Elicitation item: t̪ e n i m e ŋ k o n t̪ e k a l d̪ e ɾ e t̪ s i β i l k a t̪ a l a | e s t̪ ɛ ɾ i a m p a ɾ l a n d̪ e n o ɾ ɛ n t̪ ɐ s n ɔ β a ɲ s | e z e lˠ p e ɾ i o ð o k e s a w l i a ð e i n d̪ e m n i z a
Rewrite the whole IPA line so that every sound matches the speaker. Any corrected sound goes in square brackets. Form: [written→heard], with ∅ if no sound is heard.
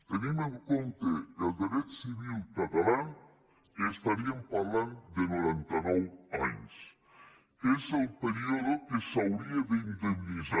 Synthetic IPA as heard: t̪ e n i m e ŋ k o n t̪ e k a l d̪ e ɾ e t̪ s i β i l k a t̪ a l a | e s t̪ [ɛ→a] ɾ i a m p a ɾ l a n d̪ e n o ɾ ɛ n t̪ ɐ [s→∅] n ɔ [β→w] a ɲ s | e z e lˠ p e ɾ i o ð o k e s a w [l→ɾ] i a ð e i n d̪ e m n i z a